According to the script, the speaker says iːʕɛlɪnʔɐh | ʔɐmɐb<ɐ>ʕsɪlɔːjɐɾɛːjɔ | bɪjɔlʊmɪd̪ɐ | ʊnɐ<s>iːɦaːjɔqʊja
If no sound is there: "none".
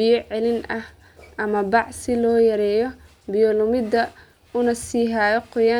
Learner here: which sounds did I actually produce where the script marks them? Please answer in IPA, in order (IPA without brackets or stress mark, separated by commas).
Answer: ɑ, s